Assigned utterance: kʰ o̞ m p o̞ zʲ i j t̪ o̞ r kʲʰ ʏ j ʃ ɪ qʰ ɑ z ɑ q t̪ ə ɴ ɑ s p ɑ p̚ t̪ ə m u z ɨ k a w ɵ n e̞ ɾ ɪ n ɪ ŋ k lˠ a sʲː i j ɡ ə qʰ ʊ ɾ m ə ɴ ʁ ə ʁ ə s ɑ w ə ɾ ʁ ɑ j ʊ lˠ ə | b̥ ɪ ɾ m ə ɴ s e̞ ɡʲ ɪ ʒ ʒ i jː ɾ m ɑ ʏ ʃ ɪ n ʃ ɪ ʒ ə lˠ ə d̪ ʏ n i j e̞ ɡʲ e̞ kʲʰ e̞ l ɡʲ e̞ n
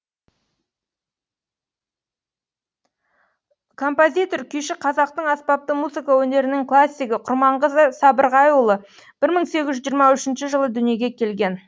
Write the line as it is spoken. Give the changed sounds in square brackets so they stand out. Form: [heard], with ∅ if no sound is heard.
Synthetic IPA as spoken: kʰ o̞ m p o̞ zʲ i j t̪ o̞ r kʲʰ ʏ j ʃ ɪ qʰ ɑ z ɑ q t̪ ə ɴ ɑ s p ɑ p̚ t̪ ə m u z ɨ k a w ɵ n e̞ ɾ ɪ n ɪ ŋ k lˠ a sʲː i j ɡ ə qʰ ʊ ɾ m [ɑ] ɴ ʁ ə [z] ə s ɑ [b] ə ɾ ʁ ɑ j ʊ lˠ ə | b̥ ɪ ɾ m ə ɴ s e̞ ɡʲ ɪ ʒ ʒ i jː ɾ m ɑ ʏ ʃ ɪ n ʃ ɪ ʒ ə lˠ ə d̪ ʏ n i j e̞ ɡʲ e̞ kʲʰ e̞ l ɡʲ e̞ n

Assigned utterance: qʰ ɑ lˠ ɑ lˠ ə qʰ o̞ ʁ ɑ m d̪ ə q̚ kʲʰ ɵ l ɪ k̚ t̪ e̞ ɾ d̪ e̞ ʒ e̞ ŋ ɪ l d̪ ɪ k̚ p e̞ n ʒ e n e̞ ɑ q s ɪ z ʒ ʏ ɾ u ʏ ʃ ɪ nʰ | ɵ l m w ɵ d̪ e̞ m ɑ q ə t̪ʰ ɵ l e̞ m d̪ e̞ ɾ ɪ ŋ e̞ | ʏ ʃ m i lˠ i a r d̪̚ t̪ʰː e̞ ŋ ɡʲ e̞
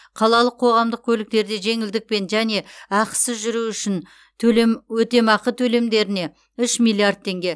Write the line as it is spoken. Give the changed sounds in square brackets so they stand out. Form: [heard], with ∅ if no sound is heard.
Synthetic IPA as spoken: qʰ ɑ lˠ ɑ lˠ ə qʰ o̞ ʁ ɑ m d̪ ə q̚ kʲʰ ɵ l ɪ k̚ t̪ e̞ ɾ d̪ e̞ ʒ e̞ ŋ ɪ l d̪ ɪ k̚ p e̞ n ʒ [æ] n e̞ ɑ q s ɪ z ʒ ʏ ɾ u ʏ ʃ ɪ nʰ | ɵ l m w ɵ [t̪] e̞ m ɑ q ə t̪ʰ ɵ l e̞ m d̪ e̞ ɾ ɪ [n] e̞ | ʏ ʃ m i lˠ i a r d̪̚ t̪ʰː e̞ ŋ ɡʲ e̞

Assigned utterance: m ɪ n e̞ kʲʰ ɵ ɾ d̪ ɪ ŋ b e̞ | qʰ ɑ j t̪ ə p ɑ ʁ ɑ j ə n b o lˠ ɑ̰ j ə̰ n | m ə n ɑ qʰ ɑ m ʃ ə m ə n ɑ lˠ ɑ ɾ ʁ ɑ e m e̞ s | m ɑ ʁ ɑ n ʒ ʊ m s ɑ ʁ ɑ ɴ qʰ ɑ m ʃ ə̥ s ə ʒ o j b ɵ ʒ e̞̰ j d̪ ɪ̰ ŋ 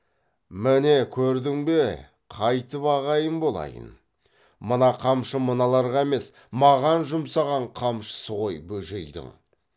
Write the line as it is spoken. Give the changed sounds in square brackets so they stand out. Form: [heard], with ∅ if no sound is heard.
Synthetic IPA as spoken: m ɪ n e̞ kʲʰ ɵ ɾ d̪ ɪ ŋ b e̞ | qʰ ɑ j t̪ ə p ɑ ʁ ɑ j ə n b o lˠ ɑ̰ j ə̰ n | m ə n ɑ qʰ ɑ m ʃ ə m ə n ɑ lˠ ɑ ɾ ʁ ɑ e m e̞ s | m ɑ ʁ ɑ n ʒ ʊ m s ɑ ʁ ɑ ɴ qʰ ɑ m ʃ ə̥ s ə [ʁ] o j b ɵ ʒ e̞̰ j d̪ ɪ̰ ŋ

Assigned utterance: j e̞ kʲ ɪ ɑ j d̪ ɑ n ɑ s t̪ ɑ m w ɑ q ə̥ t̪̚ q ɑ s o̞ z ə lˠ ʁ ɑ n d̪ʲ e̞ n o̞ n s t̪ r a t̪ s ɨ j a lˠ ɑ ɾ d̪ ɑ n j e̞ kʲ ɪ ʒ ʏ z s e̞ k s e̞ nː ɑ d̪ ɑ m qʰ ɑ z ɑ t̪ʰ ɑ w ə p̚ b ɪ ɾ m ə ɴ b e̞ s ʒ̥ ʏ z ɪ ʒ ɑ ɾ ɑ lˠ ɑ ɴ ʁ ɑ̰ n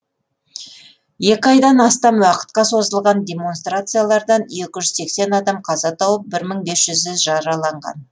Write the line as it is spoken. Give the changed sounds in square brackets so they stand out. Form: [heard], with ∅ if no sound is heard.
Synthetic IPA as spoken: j e̞ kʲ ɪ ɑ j d̪ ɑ n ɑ s t̪ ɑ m w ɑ q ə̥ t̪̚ q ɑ s o̞ z ə lˠ ʁ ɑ n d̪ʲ e̞ [m] o̞ n s t̪ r a t̪ s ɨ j a lˠ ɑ ɾ d̪ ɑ n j e̞ kʲ ɪ ʒ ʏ z s e̞ k s e̞ [n] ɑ d̪ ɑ m qʰ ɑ z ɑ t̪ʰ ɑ w ə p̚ b ɪ ɾ m ə ɴ b e̞ s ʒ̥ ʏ z ɪ ʒ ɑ ɾ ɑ lˠ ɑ ɴ ʁ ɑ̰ n

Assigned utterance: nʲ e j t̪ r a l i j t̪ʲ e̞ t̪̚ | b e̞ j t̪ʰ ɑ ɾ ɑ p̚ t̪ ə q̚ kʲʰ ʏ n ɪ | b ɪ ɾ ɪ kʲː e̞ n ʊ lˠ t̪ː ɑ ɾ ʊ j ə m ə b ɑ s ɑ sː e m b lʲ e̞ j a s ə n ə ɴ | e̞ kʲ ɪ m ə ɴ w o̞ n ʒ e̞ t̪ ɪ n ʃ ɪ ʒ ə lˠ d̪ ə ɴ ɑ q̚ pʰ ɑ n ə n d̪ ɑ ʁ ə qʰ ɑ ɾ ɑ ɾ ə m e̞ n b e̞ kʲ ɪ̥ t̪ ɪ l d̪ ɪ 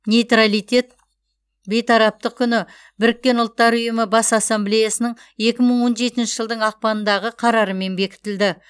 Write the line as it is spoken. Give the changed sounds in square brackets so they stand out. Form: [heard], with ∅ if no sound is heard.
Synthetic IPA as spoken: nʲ e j t̪ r a l i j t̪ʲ e̞ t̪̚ | b e̞ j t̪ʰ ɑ ɾ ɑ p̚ t̪ ə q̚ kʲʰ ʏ n ɪ | b ɪ ɾ ɪ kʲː e̞ n ʊ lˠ t̪ː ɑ ɾ ʊ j ə m ə b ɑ s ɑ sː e m b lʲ e̞ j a s ə n ə ɴ | e̞ kʲ ɪ m ə ɴ w o̞ n ʒ e̞ t̪ ɪ n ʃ ɪ ʒ ə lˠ d̪ ə ɴ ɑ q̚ [p] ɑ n ə n d̪ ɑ ʁ ə qʰ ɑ ɾ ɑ ɾ ə m e̞ n b e̞ kʲ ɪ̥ t̪ ɪ l d̪ ɪ

